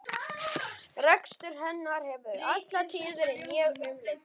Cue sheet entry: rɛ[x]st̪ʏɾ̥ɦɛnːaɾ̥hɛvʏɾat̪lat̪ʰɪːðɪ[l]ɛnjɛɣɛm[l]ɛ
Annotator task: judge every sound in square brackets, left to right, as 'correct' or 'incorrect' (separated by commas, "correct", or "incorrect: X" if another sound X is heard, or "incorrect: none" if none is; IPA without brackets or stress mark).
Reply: incorrect: k, incorrect: ɾ, correct